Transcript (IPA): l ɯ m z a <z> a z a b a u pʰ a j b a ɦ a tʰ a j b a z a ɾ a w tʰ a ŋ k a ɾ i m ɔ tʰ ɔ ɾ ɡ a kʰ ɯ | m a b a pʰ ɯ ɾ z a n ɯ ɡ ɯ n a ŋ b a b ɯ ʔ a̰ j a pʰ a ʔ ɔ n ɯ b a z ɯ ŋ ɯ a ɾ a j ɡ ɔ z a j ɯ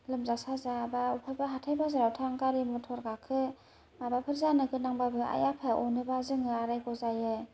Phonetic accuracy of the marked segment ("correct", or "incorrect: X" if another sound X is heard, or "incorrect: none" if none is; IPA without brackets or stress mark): incorrect: s